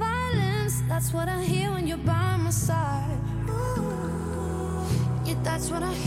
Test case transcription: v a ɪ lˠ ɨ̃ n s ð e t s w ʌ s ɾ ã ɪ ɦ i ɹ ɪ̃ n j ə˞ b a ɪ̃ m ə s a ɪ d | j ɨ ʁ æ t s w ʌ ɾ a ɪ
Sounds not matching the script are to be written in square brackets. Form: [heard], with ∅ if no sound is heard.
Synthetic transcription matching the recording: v a ɪ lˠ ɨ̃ n s ð [æ] t s w ʌ [∅] ɾ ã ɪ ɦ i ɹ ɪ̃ n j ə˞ b a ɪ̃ m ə s a ɪ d | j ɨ [ð] æ t s w ʌ ɾ a ɪ